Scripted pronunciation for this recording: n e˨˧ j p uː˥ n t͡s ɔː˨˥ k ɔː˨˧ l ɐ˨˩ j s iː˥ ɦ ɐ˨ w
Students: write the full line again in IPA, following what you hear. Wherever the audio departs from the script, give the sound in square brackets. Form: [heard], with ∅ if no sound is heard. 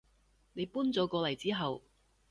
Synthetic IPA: n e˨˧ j p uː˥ n t͡s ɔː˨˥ k ɔː˨˧ l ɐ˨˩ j [t͡s] iː˥ ɦ ɐ˨ w